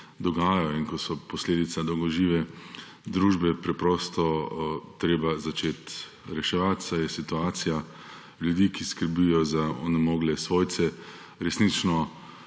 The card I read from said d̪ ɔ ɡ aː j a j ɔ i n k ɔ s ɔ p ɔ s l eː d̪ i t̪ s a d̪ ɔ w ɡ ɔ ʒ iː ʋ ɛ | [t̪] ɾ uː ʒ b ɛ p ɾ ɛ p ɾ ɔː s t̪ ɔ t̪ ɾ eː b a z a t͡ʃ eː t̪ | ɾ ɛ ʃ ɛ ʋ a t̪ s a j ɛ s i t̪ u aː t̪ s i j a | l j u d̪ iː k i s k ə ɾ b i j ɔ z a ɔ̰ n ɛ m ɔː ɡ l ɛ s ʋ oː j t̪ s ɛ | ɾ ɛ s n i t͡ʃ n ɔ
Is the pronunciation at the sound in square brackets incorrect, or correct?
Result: incorrect